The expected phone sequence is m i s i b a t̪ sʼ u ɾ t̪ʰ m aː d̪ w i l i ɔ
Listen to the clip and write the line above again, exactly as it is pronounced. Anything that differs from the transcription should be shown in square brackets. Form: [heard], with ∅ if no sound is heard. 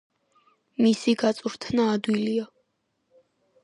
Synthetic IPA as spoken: m i s i [ɡ] a t̪ sʼ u ɾ t̪ʰ [n] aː d̪ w i l i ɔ